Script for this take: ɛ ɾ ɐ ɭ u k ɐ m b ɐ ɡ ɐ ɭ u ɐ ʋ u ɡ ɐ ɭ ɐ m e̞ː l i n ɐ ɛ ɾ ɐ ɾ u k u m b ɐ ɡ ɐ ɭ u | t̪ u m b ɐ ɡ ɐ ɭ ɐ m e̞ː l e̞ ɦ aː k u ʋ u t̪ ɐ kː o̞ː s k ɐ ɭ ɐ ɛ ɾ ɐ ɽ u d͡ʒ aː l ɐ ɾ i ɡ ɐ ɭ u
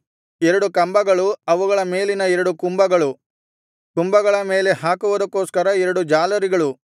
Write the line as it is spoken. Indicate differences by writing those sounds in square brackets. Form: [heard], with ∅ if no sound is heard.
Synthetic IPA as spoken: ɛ ɾ ɐ [ɽ] u k ɐ m b ɐ ɡ ɐ ɭ u ɐ ʋ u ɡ ɐ ɭ ɐ m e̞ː l i n ɐ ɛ ɾ ɐ [ɽ] u k u m b ɐ ɡ ɐ ɭ u | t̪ u m b ɐ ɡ ɐ ɭ ɐ m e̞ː l e̞ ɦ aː k u ʋ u [d̪] ɐ kː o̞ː s k ɐ [ɾ] ɐ ɛ ɾ ɐ ɽ u d͡ʒ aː l ɐ ɾ i ɡ ɐ ɭ u